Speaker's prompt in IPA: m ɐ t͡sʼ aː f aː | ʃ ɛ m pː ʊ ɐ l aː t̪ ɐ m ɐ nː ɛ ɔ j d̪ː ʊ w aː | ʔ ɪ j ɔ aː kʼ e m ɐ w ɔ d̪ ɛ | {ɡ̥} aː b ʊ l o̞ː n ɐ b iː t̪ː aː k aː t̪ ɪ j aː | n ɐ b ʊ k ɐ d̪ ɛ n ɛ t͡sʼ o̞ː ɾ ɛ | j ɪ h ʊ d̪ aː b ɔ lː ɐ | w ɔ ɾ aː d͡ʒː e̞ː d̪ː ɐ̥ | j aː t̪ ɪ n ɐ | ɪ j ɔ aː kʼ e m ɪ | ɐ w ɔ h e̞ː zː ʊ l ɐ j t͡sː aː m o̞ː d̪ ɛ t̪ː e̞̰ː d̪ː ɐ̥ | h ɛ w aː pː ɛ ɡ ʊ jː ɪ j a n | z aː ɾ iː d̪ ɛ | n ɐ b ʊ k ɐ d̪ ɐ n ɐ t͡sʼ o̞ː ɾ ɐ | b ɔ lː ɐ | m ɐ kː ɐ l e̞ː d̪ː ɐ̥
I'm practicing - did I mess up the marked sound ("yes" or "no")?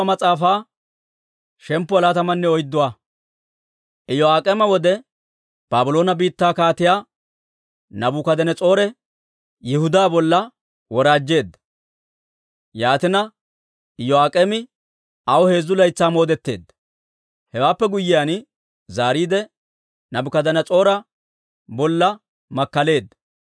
yes